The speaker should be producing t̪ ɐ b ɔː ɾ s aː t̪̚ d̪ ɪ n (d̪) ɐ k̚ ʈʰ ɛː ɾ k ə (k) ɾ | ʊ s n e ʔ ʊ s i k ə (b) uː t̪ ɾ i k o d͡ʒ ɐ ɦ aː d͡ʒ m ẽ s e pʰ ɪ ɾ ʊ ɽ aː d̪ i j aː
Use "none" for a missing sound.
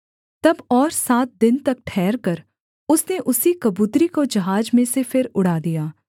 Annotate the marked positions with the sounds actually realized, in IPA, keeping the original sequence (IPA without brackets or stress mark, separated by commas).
t̪, none, b